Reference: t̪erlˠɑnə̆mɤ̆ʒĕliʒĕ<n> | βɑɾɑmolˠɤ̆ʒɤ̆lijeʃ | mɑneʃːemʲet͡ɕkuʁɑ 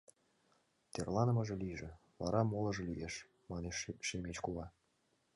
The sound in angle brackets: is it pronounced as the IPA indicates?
no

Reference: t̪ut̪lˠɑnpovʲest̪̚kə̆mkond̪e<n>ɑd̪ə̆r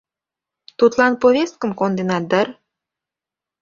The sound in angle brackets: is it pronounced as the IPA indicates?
yes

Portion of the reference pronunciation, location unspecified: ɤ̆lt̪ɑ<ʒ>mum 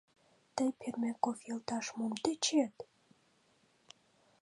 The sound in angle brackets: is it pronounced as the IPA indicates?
no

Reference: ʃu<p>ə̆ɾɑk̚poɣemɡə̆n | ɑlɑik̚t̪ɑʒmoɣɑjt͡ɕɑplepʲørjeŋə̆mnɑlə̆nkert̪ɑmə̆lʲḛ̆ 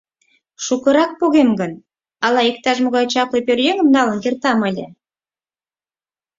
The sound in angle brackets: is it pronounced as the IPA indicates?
no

